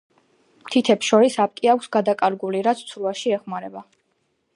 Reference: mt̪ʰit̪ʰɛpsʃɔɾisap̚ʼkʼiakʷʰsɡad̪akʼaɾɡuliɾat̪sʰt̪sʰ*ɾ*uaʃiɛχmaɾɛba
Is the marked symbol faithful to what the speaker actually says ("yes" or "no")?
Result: yes